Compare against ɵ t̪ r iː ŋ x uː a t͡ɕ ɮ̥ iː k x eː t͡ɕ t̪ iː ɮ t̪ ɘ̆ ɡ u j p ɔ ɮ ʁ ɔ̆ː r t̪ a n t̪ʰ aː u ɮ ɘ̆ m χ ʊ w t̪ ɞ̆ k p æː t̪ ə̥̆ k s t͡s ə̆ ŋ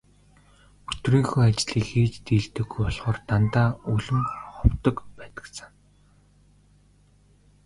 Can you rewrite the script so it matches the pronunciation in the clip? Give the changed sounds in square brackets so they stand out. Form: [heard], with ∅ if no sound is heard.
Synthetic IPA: ɵ t̪ r iː ŋ x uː a t͡ɕ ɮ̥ iː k x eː t͡ɕ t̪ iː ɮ t̪ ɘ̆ ɡ u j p ɔ ɮ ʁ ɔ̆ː r t̪ a n [t̪] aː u ɮ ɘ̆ m χ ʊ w t̪ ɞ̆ k p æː t̪ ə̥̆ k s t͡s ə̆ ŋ